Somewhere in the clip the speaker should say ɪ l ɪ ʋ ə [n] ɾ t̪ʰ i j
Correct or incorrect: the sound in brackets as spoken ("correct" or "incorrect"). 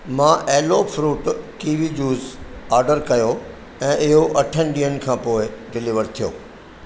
incorrect